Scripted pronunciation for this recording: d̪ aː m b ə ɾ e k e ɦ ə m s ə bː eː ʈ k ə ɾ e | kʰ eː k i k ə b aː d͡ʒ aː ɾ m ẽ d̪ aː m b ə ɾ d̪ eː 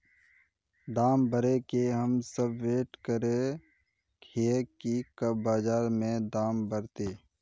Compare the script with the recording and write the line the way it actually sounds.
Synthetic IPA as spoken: d̪ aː m b ə ɾ e k e ɦ ə m s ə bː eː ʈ k ə ɾ e | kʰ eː k i k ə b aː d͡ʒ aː ɾ m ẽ d̪ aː m b ə ɾ t̪ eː